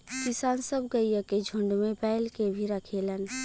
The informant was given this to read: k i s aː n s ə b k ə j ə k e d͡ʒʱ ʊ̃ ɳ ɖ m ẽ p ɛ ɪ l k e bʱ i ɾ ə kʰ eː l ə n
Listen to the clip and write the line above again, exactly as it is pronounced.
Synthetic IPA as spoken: k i s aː n s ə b ɡ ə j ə k e d͡ʒʱ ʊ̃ ɳ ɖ m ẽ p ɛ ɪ l k e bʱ i ɾ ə kʰ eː l ə n